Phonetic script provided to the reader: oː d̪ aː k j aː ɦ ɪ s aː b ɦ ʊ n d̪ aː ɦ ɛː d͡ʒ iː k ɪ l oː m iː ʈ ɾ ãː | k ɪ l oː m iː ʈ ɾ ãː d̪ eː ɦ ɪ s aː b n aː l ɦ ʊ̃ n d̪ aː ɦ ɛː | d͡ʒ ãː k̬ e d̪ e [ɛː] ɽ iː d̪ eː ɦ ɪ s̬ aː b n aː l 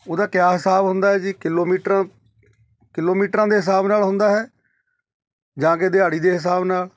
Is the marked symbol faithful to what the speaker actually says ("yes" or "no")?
no